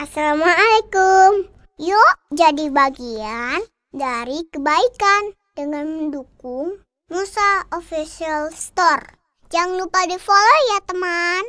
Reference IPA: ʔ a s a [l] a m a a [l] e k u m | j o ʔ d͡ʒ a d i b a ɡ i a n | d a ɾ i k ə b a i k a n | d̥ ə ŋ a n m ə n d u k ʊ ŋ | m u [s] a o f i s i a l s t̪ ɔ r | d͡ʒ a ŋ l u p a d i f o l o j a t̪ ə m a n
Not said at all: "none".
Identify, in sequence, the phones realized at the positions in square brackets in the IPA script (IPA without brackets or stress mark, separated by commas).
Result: l, l, s